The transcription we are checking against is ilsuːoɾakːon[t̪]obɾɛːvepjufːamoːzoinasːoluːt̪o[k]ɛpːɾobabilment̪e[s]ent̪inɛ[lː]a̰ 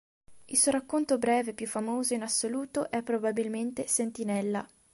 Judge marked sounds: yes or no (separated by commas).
yes, no, yes, yes